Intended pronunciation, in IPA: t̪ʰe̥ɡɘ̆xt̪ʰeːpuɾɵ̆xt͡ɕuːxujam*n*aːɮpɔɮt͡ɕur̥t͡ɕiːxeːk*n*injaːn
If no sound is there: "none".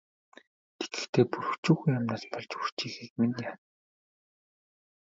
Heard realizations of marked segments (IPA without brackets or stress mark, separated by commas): n, m